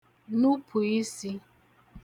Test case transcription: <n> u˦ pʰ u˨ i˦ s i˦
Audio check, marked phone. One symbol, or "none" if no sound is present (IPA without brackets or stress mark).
n